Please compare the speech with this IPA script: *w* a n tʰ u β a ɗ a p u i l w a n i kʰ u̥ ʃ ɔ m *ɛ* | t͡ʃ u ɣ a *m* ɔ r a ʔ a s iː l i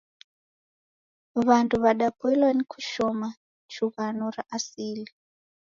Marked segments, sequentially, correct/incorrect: incorrect, incorrect, incorrect

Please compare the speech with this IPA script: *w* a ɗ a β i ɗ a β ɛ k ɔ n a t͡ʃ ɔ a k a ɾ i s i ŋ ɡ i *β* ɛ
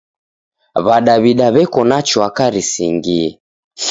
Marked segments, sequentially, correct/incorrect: incorrect, incorrect

